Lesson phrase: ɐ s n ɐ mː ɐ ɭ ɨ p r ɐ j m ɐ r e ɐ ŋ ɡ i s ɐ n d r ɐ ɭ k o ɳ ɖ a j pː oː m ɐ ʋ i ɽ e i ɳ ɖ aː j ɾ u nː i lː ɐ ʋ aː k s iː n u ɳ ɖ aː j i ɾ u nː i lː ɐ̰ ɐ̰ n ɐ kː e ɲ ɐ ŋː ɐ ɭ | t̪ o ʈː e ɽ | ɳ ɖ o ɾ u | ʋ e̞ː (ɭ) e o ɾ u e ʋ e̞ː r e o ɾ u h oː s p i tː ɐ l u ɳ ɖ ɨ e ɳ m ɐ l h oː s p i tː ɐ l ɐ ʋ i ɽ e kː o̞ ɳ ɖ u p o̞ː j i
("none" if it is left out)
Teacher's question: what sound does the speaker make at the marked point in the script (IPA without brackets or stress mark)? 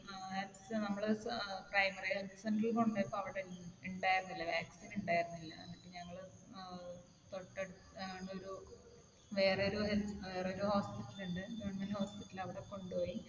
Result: r